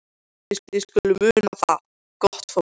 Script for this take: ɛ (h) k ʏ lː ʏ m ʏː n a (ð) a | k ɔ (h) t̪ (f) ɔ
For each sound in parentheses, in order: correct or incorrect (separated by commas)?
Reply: incorrect, incorrect, correct, correct